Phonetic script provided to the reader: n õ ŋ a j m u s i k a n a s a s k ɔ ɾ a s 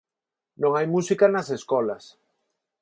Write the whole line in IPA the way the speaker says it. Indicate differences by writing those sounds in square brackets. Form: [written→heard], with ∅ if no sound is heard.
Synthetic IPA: n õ ŋ a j m u s i k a n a s [a→e] s k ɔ [ɾ→l] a s